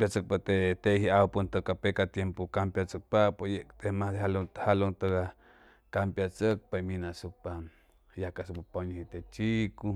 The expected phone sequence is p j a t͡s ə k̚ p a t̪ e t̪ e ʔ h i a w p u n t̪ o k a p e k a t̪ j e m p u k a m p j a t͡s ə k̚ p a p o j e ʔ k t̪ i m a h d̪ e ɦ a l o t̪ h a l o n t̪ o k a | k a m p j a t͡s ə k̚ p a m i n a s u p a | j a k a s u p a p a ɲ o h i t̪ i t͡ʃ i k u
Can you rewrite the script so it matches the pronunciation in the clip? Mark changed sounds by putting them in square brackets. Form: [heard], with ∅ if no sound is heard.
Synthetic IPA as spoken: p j a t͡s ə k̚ p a t̪ e t̪ e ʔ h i a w p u n t̪ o k a p e k a t̪ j e m p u k a m p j a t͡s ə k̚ p a p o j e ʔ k t̪ [e] m a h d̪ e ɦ a l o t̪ h a l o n t̪ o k a | k a m p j a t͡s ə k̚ p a m i n a s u p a | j a k a s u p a p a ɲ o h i t̪ [e] t͡ʃ i k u